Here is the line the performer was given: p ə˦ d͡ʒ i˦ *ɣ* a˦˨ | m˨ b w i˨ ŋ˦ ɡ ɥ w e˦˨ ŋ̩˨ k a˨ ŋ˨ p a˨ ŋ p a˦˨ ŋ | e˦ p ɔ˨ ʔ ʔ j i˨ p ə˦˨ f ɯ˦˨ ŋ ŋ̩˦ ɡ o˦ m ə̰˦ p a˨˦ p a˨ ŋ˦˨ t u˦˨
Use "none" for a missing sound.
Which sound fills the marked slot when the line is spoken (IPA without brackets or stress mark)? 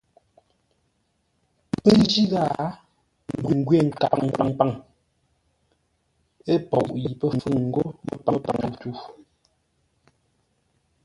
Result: ɣ